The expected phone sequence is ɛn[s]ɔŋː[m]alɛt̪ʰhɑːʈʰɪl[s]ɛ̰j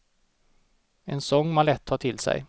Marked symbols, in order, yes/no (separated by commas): yes, yes, yes